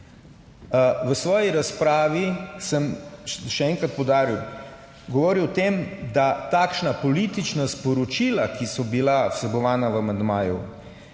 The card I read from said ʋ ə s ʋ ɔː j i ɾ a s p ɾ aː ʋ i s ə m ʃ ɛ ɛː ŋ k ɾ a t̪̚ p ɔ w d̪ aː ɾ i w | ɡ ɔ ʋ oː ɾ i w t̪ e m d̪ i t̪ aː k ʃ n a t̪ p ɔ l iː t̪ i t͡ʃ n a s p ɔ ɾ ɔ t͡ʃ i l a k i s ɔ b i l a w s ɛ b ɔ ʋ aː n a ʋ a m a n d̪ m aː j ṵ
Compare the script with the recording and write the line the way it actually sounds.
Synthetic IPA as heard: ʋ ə s ʋ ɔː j i ɾ a s p ɾ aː ʋ i s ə m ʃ ɛ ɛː ŋ k ɾ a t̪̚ p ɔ w d̪ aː ɾ i w | ɡ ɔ ʋ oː ɾ i w t̪ e m d̪ a t̪ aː k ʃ n a p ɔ l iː t̪ i t͡ʃ n a s p ɔ ɾ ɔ t͡ʃ i l a k i s ɔ b i l a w s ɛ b ɔ ʋ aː n a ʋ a m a n d̪ m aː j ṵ